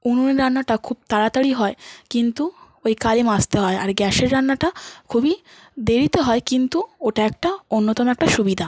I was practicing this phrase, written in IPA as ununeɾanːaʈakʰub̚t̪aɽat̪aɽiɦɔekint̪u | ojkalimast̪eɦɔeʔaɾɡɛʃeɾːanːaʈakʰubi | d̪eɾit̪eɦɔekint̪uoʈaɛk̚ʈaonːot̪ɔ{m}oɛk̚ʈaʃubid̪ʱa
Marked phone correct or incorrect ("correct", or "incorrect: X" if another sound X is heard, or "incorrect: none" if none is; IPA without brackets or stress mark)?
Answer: correct